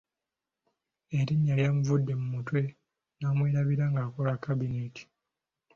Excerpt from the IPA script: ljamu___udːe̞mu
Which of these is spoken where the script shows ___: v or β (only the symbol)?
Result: v